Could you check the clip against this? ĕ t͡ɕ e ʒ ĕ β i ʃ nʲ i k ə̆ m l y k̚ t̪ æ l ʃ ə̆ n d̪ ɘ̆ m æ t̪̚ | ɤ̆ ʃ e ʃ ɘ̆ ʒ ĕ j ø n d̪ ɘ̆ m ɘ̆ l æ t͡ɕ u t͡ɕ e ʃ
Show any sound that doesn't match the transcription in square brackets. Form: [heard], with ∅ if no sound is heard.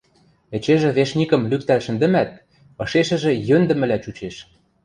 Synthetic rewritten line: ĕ t͡ɕ e ʒ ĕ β [e] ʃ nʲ i k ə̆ m l y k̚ t̪ æ l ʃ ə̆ n d̪ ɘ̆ m æ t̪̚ | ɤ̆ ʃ e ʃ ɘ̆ ʒ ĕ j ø n d̪ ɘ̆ m ɘ̆ l æ t͡ɕ u t͡ɕ e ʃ